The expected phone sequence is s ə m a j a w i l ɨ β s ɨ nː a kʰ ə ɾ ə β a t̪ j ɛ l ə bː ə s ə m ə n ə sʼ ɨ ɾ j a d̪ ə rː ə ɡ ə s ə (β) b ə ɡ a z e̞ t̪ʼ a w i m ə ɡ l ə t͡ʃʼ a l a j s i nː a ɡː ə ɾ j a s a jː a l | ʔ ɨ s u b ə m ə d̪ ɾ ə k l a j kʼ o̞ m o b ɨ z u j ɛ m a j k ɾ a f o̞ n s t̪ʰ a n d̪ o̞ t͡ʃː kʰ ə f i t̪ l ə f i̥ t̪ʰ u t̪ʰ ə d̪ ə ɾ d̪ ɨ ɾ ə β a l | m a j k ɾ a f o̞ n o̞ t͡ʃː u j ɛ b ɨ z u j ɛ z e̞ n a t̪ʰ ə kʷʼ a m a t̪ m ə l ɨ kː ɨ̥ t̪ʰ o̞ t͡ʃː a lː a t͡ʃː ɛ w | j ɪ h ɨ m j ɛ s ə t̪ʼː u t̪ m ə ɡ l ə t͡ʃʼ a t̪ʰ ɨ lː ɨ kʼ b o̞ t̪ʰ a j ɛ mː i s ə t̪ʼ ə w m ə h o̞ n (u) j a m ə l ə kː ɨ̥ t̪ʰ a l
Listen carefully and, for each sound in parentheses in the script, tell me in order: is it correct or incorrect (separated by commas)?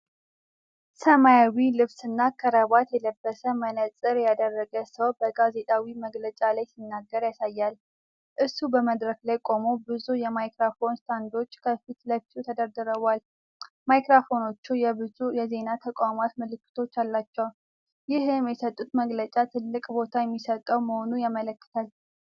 incorrect, correct